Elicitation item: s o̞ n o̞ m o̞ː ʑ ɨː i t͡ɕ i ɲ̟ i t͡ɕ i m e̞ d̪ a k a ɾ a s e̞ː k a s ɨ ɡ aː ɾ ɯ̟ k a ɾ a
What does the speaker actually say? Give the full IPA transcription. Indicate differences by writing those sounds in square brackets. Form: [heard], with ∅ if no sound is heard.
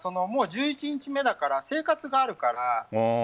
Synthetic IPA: s o̞ n o̞ m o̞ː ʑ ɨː i t͡ɕ i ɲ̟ i t͡ɕ i m e̞ d̪ a k a ɾ a s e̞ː k a [t͡s] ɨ ɡ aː ɾ ɯ̟ k a ɾ a

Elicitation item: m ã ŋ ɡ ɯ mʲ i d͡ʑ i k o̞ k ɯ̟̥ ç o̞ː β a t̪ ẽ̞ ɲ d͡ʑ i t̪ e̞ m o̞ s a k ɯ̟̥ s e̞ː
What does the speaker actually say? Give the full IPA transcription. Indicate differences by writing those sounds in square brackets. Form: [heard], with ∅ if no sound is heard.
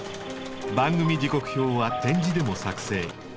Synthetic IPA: [b] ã ŋ ɡ ɯ mʲ i d͡ʑ i k o̞ k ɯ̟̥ ç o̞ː β a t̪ ẽ̞ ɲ d͡ʑ i [d̪] e̞ m o̞ s a k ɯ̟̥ s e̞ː

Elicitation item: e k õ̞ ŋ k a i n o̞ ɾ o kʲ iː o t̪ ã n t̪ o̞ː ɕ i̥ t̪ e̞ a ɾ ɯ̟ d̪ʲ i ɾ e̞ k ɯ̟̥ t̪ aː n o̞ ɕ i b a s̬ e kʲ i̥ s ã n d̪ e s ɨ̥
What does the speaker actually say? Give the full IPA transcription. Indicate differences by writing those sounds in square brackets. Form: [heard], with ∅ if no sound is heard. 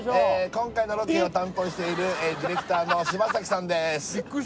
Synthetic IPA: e k õ̞ ŋ k a i n o̞ ɾ o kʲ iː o t̪ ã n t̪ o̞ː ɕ i̥ t̪ e̞ [i] ɾ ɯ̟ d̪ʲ i ɾ e̞ k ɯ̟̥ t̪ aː n o̞ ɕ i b a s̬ [a] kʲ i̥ s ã n d̪ e s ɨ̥

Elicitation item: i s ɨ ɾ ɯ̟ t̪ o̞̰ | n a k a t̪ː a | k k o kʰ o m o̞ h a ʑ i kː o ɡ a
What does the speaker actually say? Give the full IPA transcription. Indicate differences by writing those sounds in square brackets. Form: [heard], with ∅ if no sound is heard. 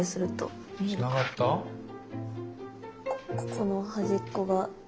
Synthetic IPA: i s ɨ ɾ ɯ̟ t̪ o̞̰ | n a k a t̪ː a | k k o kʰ o [n] o̞ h a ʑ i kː o ɡ a

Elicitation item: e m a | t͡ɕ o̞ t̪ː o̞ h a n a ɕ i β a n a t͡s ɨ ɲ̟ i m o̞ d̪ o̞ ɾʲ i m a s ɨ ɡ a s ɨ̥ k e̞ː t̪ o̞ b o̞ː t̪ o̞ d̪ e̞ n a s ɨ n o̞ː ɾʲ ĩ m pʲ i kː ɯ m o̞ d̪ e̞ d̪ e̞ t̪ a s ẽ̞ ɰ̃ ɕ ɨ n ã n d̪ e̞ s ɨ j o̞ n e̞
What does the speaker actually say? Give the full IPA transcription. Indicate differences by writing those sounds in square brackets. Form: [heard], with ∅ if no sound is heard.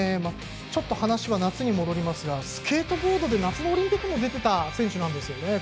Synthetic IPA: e m a | t͡ɕ o̞ t̪ː o̞ h a n a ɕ i β a n a t͡s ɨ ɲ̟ i m o̞ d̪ o̞ ɾʲ i m a s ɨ ɡ a s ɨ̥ k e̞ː t̪ o̞ b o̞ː [d̪] o̞ d̪ e̞ n a [t͡s] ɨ n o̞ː ɾʲ ĩ m pʲ i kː ɯ m o̞ d̪ e̞ [t̪] e̞ t̪ a s ẽ̞ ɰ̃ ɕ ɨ n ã n d̪ e̞ s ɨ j o̞ n e̞

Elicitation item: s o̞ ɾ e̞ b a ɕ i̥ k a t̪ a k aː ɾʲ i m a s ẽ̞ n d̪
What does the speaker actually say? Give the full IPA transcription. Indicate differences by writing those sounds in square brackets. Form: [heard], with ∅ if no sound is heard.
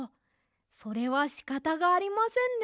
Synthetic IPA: s o̞ ɾ e̞ [β] a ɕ i̥ k a t̪ a [ɡ] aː ɾʲ i m a s ẽ̞ n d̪

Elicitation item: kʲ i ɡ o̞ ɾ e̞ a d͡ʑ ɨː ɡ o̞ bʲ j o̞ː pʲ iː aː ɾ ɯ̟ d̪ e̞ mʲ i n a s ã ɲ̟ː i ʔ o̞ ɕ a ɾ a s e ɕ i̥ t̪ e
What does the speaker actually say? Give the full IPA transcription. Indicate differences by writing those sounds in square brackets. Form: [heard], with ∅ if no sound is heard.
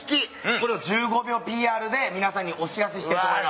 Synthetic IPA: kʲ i [k] o̞ ɾ e̞ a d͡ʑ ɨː ɡ o̞ bʲ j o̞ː pʲ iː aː ɾ ɯ̟ d̪ e̞ mʲ i n a s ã ɲ̟ː i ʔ o̞ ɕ [i] ɾ a s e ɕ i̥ t̪ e

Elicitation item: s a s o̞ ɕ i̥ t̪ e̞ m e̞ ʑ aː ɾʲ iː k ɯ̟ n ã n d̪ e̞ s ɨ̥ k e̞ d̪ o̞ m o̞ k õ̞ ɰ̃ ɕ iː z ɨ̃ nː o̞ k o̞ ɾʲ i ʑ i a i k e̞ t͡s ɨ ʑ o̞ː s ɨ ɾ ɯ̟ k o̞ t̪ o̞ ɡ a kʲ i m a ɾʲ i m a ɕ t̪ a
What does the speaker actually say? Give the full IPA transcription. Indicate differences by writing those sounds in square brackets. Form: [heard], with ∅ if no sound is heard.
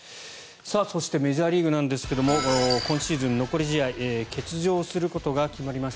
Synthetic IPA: s a s o̞ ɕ i̥ t̪ e̞ m e̞ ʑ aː ɾʲ iː [ɡ] ɯ̟ n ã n d̪ e̞ s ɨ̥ k e̞ d̪ o̞ m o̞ k õ̞ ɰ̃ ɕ iː z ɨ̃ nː o̞ k o̞ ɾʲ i ʑ i a i k e̞ t͡s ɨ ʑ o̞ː s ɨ ɾ ɯ̟ k o̞ t̪ o̞ ɡ a kʲ i m a ɾʲ i m a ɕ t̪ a

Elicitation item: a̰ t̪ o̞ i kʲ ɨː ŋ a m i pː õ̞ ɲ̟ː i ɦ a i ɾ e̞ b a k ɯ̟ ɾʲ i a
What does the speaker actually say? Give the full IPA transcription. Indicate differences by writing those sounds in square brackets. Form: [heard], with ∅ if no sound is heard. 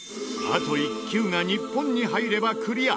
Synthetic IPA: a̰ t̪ o̞ i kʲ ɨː ŋ a [ɲ] i pː õ̞ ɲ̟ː i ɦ a i ɾ e̞ b a k ɯ̟ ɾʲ i a

